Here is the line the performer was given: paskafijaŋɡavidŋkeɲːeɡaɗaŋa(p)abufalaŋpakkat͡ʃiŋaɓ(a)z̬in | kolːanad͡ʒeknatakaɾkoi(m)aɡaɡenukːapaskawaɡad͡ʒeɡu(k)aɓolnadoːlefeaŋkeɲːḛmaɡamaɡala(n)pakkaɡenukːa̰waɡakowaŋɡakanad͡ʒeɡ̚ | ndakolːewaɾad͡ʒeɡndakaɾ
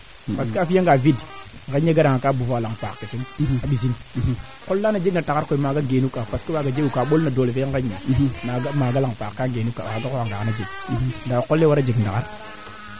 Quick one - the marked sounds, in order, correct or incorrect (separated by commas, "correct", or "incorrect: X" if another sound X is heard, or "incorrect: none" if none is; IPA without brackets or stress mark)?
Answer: incorrect: k, incorrect: i, correct, correct, incorrect: ŋ